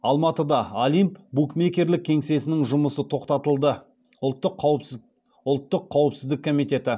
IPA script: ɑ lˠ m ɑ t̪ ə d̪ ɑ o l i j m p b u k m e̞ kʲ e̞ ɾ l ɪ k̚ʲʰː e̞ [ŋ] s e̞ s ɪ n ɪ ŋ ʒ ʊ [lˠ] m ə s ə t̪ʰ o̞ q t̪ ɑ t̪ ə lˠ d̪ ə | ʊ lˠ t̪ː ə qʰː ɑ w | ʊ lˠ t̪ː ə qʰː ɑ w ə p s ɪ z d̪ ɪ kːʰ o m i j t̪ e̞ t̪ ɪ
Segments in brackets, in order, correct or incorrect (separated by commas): correct, incorrect